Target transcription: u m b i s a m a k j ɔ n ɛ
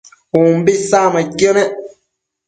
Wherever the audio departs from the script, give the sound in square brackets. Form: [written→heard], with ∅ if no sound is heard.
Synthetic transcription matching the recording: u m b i s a m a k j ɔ n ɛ